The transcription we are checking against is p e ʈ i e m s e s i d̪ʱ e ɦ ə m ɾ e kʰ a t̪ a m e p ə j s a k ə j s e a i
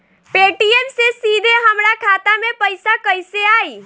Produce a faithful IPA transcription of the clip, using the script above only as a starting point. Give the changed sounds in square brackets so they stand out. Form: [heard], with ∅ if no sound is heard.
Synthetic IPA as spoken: p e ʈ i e m s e s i d̪ʱ e ɦ ə m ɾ [a] kʰ a t̪ a m e p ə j s a k ə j s e a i

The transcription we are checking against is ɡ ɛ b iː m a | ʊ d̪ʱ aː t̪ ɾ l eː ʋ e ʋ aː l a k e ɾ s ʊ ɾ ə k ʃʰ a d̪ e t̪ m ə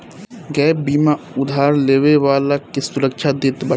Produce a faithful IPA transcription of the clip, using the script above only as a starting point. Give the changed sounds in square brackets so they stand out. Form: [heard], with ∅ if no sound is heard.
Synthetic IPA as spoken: ɡ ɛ b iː m a | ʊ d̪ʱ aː [∅] ɾ l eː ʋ e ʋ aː l a k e [∅] s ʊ ɾ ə k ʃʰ a d̪ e t̪ [b] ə

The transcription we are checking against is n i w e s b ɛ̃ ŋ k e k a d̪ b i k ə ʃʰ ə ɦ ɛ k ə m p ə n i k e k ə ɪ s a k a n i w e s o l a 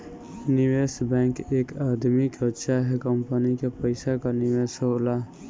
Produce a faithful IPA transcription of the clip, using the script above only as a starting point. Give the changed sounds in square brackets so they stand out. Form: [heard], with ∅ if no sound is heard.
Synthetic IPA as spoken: n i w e s b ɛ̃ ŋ k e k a d̪ [m] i k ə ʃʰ [a] ɦ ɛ k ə m p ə n i k e [p] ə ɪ s a k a n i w e s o l a

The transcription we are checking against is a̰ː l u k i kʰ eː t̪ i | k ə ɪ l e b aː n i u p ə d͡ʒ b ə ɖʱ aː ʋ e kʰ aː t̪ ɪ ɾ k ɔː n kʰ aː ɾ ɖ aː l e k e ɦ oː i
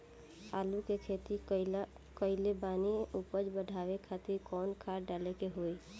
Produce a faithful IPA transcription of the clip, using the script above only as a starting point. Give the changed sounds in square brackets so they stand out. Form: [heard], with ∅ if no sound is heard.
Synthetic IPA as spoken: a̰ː l u k [e] kʰ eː t̪ i | k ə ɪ l e b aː n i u p ə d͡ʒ b ə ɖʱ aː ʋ e kʰ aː t̪ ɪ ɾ k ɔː n kʰ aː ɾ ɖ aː l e k e ɦ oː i

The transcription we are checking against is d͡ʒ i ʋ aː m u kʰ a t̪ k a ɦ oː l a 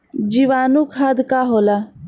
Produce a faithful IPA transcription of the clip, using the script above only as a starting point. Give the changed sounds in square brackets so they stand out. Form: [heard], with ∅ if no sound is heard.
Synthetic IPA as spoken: d͡ʒ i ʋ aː [n] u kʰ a [d̪] k a ɦ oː l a

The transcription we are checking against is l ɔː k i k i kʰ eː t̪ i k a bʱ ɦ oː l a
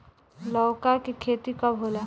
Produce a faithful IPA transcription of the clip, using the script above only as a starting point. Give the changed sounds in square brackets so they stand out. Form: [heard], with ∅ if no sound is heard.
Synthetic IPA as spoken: l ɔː k [a] k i kʰ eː t̪ i k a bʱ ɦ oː l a

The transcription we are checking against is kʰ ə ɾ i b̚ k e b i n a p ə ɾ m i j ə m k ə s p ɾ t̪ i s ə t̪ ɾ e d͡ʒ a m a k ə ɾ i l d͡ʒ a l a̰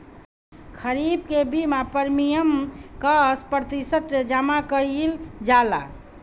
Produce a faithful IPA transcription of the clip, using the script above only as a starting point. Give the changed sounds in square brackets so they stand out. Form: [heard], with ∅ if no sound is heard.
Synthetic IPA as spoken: kʰ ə ɾ i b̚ k e b i [m] a p ə ɾ m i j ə m k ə s p ɾ t̪ i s ə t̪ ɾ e d͡ʒ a m a k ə ɾ i l d͡ʒ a l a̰

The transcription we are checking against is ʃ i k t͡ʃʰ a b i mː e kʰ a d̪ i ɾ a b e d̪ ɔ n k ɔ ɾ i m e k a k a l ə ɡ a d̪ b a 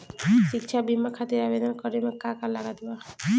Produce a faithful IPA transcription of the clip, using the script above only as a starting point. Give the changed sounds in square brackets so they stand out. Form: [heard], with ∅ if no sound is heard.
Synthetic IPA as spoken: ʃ i k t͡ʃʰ a b i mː [a] kʰ a [t̪] i ɾ a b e d̪ ɔ n k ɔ ɾ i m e k a k a l [a] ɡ a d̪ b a

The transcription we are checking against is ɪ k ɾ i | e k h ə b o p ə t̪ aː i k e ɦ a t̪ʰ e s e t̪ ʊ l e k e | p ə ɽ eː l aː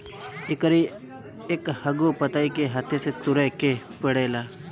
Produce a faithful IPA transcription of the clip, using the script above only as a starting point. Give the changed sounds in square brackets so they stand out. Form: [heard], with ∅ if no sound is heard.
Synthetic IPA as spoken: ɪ k ɾ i | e k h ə [ɡ] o p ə t̪ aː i k e ɦ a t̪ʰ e s e t̪ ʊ [ɾ] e k e | p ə ɽ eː l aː

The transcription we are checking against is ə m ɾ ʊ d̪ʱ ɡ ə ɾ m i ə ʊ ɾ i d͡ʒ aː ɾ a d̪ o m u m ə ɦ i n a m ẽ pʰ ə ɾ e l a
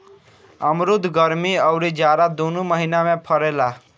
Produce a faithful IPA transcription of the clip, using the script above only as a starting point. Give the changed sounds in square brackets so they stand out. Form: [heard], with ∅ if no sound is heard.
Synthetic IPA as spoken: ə m ɾ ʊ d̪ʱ ɡ ə ɾ m i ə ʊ ɾ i d͡ʒ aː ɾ a d̪ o [n] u m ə ɦ i n a m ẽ pʰ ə ɾ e l a

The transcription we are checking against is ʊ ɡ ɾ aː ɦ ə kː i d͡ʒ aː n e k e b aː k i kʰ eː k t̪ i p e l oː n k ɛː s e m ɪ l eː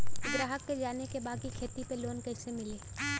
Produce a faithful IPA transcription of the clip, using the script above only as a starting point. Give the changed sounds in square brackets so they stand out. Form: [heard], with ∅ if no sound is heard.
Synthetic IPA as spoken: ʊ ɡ ɾ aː ɦ ə kː [e] d͡ʒ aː n e k e b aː k i kʰ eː [∅] t̪ i p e l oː n k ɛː s e m ɪ l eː

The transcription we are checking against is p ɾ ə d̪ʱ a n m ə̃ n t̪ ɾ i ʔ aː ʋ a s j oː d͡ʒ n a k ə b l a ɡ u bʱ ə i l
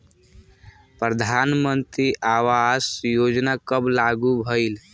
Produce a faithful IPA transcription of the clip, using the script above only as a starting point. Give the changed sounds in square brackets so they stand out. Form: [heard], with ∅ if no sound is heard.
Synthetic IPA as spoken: p ɾ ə d̪ʱ a n m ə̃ n t̪ ɾ i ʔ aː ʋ a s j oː d͡ʒ n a k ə b l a ɡ u bʱ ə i l

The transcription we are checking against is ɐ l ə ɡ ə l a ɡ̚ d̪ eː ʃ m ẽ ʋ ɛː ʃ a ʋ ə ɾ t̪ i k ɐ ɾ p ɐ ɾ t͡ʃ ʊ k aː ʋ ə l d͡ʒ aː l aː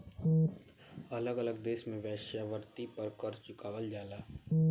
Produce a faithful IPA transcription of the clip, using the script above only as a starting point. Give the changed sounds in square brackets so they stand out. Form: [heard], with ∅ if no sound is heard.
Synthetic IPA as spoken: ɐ l ə ɡ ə l [ə] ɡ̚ d̪ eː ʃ m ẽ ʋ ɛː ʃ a ʋ ə ɾ t̪ i [p] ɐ ɾ [k] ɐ ɾ t͡ʃ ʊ k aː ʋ ə l d͡ʒ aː l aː

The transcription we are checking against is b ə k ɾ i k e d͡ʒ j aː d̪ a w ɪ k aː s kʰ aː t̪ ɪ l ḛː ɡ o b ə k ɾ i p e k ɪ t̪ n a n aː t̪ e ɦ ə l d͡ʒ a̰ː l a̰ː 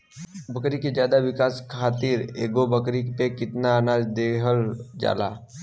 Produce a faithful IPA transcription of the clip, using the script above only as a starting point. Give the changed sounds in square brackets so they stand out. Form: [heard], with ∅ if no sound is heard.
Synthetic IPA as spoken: b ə k ɾ i k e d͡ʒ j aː d̪ a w ɪ k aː s kʰ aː t̪ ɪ [ɾ] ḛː ɡ o b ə k ɾ i p e k ɪ t̪ n a n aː [d̪] e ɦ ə l d͡ʒ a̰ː l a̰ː

